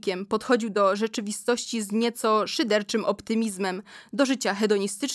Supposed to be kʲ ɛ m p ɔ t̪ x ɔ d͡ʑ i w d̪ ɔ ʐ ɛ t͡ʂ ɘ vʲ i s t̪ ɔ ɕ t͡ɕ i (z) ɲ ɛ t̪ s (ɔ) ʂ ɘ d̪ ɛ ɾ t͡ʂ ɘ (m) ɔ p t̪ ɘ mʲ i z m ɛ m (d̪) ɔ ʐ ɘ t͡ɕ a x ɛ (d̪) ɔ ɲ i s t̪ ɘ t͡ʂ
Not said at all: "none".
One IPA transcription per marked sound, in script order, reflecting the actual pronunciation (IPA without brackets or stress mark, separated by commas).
z, ɔ, m, d̪, d̪